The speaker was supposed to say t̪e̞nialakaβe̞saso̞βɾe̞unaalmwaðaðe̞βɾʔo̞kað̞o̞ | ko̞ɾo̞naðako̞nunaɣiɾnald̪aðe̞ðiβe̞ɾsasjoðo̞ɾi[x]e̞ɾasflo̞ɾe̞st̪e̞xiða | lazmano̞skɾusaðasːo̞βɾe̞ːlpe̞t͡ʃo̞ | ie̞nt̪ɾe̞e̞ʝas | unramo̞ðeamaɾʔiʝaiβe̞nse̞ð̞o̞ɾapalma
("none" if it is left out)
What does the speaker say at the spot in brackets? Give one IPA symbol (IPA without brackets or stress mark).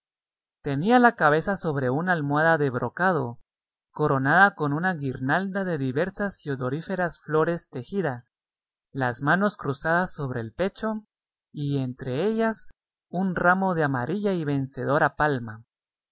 f